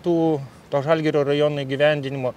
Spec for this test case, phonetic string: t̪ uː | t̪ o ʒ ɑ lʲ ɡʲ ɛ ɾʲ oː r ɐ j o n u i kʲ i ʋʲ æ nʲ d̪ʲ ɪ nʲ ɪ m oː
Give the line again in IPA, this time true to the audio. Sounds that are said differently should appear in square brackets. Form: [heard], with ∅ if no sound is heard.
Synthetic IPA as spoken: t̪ uː | t̪ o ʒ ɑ lʲ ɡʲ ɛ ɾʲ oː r ɐ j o n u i [ɡʲ] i ʋʲ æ nʲ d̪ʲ ɪ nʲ ɪ m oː